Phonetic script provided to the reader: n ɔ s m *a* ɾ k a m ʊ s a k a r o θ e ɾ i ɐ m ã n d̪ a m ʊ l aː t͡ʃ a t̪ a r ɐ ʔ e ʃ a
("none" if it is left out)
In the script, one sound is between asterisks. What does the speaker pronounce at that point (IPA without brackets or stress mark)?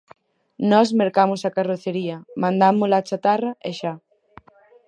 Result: e